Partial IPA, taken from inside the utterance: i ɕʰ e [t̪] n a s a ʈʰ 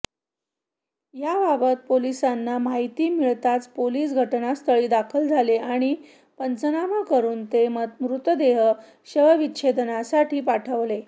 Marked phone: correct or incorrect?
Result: incorrect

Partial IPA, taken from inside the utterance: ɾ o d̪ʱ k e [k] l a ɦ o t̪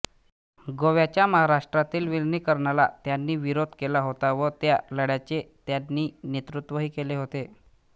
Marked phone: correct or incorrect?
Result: incorrect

